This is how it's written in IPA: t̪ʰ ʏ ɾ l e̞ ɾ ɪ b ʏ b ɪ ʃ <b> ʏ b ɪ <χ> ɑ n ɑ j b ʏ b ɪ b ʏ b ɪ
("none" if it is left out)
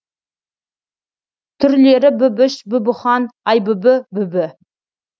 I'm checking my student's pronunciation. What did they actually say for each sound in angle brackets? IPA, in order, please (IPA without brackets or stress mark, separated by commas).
b, χ